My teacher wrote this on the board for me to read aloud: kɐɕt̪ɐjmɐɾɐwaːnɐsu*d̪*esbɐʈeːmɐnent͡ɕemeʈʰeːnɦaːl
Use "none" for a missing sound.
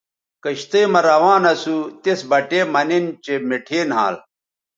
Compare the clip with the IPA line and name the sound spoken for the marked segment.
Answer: t̪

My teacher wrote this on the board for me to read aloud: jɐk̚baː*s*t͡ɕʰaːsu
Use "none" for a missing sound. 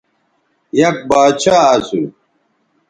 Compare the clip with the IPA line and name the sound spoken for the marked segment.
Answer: none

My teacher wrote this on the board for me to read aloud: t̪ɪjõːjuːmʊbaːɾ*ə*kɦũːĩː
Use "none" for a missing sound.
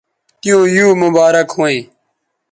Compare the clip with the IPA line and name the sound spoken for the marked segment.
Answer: ə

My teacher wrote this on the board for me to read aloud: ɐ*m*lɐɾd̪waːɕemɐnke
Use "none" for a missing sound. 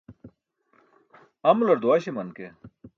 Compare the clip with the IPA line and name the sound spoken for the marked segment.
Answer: m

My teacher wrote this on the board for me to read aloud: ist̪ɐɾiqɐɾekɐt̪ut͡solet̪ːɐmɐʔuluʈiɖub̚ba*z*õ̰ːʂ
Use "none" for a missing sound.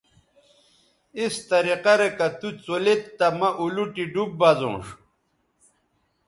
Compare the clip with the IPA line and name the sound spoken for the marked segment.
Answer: z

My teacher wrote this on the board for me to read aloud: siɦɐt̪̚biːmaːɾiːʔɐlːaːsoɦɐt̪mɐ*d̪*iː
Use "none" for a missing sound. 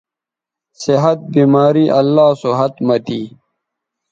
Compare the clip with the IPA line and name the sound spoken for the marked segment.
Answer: t̪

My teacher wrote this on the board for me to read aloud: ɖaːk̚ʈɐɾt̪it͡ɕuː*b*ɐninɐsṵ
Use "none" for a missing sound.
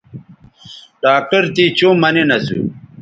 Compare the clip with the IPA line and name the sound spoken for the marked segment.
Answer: m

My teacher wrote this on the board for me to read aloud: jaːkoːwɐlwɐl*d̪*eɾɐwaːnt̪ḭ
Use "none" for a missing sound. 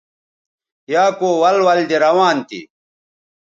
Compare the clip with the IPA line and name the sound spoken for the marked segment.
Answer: d̪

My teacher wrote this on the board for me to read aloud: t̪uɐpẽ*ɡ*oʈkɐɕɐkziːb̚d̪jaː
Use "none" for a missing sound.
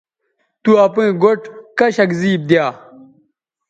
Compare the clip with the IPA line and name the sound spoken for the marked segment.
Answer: ɡ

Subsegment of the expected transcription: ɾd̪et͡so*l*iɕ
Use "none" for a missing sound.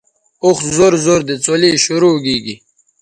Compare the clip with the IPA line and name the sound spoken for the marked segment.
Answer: l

